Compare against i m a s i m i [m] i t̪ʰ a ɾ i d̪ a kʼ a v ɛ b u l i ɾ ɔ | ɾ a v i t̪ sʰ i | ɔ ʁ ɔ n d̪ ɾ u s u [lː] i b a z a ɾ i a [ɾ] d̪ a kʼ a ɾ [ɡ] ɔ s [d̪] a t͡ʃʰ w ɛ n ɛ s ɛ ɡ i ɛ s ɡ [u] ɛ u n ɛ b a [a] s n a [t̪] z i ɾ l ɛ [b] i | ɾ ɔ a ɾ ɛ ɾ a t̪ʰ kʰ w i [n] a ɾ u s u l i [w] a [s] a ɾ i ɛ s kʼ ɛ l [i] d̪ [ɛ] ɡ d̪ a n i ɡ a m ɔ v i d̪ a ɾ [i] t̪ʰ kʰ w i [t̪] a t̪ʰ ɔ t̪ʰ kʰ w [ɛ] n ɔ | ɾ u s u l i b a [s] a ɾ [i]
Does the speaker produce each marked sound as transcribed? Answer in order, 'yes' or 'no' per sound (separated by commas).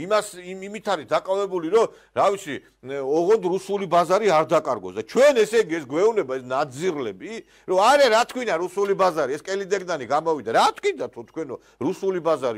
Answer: yes, no, yes, yes, yes, no, no, no, yes, yes, no, no, yes, yes, no, no, yes, no, yes